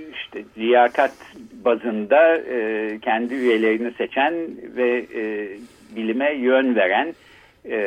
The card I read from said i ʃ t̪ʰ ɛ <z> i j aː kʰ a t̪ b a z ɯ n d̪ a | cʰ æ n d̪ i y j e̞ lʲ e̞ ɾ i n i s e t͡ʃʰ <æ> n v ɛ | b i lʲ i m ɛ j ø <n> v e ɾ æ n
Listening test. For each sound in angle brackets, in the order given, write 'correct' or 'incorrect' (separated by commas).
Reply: correct, correct, correct